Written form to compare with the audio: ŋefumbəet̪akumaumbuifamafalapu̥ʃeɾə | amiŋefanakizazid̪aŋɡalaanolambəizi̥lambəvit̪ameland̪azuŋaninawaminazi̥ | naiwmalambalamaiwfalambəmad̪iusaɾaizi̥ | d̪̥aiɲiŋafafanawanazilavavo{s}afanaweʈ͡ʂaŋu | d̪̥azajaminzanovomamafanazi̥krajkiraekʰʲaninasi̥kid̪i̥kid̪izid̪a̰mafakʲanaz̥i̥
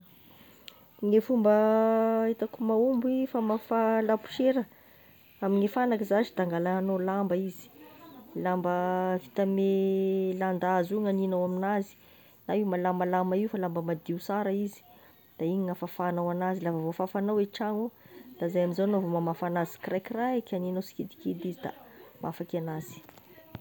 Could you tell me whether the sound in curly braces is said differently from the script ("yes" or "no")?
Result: yes